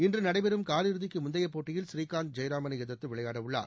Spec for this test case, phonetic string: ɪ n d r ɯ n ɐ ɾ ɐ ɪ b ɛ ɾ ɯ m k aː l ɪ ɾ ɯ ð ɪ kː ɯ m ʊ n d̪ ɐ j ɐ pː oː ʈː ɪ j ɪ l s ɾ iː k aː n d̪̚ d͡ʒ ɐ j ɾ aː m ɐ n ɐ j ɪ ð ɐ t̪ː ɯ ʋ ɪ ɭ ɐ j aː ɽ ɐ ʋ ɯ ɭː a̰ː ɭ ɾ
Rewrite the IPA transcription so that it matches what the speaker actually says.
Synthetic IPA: ɪ n d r ɯ n ɐ ɽ ɐ ɪ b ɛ ɾ ɯ m k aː l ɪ ɾ ɯ ð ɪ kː ɯ m ʊ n d̪ ɐ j ɐ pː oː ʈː ɪ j ɪ l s ɾ iː k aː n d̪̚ d͡ʒ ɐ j ɾ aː m ɐ n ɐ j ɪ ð ɐ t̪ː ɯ ʋ ɪ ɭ ɐ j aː ɽ ɐ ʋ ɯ ɭː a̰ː ɾ